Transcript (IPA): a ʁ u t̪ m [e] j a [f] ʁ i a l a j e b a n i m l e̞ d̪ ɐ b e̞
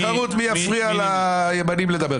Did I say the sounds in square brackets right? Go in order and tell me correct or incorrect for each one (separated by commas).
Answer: incorrect, correct